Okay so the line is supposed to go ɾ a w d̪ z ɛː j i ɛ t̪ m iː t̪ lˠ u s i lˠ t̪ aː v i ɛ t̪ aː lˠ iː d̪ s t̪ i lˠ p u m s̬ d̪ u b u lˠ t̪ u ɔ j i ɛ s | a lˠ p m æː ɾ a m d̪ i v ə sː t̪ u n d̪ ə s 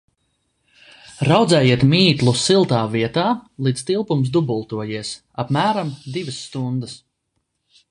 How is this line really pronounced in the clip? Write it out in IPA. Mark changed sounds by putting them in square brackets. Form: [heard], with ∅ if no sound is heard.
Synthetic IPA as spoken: ɾ a w d̪ z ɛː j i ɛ t̪ m iː t̪ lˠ u s i lˠ t̪ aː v i ɛ t̪ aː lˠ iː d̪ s t̪ i lˠ p u m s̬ d̪ u b u lˠ t̪ u ɔ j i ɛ s | a [∅] p m æː ɾ a m d̪ i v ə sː t̪ u n d̪ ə s